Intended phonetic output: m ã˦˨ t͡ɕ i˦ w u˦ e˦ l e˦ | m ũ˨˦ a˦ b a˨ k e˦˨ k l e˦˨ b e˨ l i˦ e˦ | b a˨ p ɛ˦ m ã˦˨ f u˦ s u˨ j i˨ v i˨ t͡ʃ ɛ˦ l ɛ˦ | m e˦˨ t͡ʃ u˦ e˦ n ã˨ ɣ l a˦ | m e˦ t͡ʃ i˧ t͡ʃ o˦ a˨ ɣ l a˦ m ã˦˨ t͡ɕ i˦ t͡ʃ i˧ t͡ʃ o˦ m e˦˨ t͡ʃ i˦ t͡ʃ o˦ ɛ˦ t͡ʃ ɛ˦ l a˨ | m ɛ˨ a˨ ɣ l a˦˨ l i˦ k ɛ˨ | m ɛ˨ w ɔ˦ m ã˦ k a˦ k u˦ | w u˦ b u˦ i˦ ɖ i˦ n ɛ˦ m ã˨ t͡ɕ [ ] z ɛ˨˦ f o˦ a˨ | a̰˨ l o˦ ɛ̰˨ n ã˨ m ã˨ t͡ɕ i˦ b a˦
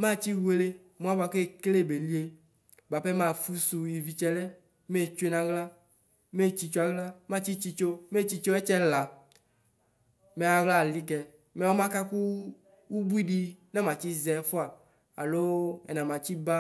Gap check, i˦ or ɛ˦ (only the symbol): i˦